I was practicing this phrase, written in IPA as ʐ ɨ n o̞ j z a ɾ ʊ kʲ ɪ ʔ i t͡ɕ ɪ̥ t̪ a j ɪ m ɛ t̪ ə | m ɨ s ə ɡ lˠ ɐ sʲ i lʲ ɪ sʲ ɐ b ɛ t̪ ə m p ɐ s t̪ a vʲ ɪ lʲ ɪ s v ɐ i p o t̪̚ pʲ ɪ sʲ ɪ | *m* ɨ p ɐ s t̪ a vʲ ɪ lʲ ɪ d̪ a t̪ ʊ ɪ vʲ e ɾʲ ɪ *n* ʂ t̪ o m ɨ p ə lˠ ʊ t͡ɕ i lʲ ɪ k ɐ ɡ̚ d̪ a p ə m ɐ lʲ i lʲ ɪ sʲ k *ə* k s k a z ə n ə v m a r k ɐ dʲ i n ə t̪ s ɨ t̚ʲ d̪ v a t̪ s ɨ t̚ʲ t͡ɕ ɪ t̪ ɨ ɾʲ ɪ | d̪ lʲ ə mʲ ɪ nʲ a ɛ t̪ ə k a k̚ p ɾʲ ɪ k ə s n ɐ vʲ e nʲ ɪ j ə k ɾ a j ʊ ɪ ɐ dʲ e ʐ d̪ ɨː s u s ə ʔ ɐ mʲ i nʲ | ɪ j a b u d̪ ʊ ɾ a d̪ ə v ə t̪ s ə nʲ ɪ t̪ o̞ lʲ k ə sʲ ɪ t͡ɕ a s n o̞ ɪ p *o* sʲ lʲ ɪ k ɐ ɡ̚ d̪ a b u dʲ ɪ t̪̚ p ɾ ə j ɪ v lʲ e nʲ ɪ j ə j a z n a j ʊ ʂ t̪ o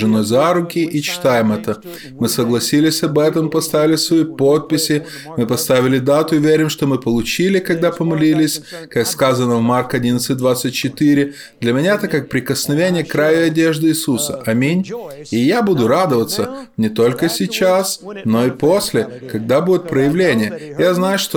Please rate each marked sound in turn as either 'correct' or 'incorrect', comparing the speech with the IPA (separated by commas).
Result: correct, incorrect, incorrect, correct